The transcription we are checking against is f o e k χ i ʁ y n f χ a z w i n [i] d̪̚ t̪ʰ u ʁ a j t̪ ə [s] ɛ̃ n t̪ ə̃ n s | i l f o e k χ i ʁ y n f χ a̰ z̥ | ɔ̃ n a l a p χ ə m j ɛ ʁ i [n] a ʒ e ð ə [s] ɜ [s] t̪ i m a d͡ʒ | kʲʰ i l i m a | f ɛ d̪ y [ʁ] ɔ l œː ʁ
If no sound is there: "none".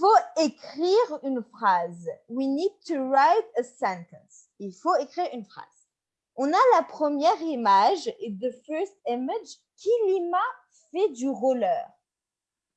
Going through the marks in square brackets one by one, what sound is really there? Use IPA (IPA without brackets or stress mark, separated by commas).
i, s, m, f, s, ʁ